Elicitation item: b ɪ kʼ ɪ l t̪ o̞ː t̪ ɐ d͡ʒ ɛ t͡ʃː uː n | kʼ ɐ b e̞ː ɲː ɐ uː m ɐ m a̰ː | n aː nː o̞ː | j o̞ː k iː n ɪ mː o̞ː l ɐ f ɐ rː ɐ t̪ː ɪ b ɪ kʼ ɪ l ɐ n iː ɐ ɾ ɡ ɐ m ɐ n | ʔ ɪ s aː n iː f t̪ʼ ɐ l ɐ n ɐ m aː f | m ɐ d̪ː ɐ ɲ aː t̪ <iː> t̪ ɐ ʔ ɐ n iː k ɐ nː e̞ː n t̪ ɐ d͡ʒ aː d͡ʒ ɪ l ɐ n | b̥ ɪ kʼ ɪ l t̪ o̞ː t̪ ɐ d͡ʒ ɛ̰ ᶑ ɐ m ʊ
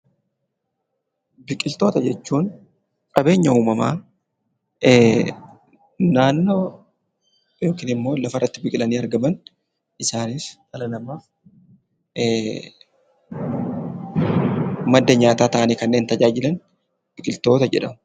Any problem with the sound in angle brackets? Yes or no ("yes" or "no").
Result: yes